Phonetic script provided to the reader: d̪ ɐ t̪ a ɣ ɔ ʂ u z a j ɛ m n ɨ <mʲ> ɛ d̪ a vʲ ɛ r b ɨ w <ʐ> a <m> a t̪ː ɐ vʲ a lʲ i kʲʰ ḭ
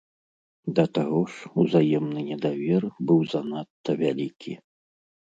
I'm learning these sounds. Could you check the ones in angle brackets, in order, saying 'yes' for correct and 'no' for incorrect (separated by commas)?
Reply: no, no, no